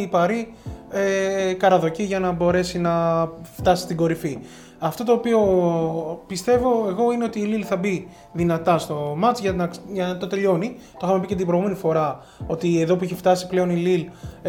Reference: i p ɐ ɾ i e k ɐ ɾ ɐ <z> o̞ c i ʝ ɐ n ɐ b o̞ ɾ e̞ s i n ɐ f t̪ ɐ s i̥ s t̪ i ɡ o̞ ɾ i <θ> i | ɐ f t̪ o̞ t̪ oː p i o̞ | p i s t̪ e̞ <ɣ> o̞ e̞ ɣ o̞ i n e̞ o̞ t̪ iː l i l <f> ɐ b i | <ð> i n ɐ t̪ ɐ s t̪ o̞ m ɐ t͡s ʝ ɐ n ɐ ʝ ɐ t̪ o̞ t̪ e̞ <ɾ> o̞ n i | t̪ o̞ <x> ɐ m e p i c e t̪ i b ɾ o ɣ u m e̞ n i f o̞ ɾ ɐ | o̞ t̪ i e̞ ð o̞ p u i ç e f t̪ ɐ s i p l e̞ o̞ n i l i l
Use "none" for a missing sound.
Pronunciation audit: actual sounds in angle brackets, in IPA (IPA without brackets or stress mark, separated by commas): ð, f, v, θ, ð, ʎ, x